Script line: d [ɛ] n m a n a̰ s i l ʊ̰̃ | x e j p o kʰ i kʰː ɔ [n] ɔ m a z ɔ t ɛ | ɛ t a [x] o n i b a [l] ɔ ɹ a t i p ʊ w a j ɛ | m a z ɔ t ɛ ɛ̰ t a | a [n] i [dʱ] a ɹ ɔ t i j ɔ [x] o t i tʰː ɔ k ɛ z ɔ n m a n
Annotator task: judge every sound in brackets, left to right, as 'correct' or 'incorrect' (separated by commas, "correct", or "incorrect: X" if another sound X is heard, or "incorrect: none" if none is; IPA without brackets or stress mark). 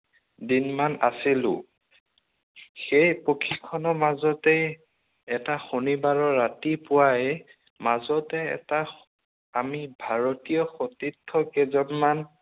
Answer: incorrect: i, correct, correct, incorrect: ɹ, incorrect: m, incorrect: bʱ, correct